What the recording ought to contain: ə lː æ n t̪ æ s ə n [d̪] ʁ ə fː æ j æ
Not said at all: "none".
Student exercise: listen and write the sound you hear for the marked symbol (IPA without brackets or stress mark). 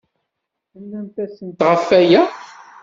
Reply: t̪